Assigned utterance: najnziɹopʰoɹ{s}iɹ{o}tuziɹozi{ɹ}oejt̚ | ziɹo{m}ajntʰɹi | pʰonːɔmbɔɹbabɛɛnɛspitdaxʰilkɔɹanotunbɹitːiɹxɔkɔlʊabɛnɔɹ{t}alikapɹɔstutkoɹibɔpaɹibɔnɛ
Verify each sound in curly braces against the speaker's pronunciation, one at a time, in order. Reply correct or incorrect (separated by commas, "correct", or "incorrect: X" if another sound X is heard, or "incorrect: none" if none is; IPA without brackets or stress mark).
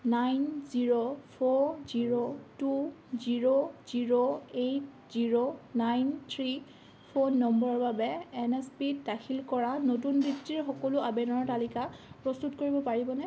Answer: incorrect: z, correct, correct, incorrect: n, correct